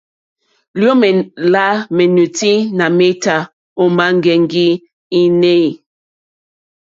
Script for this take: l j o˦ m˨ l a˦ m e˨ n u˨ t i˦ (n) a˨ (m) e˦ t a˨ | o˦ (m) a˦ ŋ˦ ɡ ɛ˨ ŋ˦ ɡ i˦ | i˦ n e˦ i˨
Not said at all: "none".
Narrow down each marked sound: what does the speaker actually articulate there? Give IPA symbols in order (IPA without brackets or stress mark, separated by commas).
n, m, m